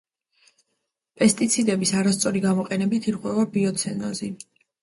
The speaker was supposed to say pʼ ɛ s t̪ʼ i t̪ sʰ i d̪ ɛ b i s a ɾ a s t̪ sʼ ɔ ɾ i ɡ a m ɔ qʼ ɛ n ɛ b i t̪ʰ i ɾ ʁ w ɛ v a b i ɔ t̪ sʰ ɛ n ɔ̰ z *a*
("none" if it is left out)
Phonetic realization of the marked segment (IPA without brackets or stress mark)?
i